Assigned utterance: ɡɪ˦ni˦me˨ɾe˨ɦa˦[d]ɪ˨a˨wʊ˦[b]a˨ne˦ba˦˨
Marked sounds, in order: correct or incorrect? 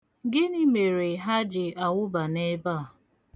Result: incorrect: d͡ʒ, correct

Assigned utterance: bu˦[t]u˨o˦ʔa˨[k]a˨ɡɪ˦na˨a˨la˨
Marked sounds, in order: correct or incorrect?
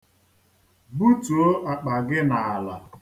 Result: correct, incorrect: k͡p

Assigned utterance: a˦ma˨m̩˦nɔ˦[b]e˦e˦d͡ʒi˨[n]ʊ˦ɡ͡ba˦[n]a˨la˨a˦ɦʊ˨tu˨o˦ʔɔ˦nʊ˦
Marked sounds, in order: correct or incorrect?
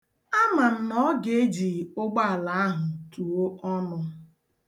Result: incorrect: ɡ, incorrect: none, incorrect: none

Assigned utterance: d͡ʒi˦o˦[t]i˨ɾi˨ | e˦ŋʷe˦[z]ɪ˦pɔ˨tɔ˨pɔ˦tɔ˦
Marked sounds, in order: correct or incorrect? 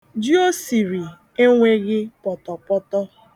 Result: incorrect: s, incorrect: ɣ

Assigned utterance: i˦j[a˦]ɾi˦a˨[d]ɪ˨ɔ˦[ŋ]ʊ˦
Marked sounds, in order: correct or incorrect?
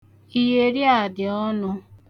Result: incorrect: e˦, correct, incorrect: n

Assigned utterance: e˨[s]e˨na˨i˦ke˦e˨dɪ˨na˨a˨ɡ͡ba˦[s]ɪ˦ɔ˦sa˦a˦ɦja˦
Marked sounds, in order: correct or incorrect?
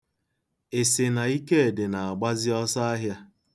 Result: correct, incorrect: z

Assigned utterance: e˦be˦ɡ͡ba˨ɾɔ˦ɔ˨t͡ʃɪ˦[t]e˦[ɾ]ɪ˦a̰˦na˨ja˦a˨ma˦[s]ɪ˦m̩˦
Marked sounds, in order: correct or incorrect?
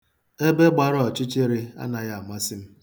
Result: incorrect: t͡ʃ, correct, correct

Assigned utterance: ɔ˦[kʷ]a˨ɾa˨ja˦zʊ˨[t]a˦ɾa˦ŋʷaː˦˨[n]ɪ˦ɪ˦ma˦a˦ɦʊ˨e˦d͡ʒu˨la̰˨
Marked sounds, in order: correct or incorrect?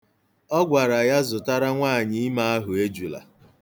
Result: incorrect: ɡʷ, correct, incorrect: ɲ

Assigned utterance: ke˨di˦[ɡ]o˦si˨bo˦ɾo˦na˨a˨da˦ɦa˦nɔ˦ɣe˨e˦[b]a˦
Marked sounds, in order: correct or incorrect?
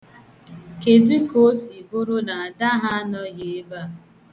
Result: incorrect: k, correct

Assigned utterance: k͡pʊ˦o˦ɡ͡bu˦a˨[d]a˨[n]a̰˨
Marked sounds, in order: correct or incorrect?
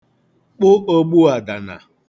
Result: correct, correct

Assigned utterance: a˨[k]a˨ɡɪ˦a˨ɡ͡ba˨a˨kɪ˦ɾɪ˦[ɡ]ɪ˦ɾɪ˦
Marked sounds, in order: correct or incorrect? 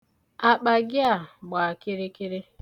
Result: incorrect: k͡p, incorrect: k

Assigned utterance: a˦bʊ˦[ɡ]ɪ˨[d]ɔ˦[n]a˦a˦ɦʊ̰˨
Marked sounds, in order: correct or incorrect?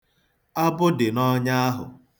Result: incorrect: d, incorrect: n, incorrect: ɲ

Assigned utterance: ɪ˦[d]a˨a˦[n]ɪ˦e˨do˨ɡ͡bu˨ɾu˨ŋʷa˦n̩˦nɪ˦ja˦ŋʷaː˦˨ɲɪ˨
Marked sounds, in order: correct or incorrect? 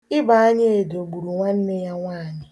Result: incorrect: b, incorrect: ɲ

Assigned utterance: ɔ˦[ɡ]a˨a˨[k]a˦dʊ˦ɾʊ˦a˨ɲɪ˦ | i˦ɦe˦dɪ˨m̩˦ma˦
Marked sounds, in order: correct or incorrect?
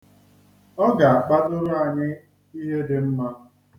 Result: correct, incorrect: k͡p

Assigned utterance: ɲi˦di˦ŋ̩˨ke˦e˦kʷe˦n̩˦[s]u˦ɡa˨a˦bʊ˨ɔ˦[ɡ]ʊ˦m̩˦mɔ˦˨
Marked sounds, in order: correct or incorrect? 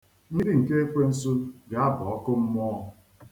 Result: correct, incorrect: k

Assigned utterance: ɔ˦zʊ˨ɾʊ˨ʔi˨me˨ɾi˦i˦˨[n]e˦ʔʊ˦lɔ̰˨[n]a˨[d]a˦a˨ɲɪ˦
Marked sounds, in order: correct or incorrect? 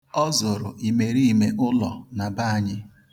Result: incorrect: m, correct, incorrect: b

